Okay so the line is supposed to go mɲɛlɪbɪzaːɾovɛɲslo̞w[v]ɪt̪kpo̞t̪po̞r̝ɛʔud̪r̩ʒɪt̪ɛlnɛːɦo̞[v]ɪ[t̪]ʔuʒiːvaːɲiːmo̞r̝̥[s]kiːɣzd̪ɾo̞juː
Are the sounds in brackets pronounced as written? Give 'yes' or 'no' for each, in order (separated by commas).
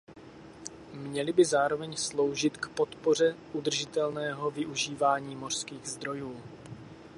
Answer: no, yes, no, yes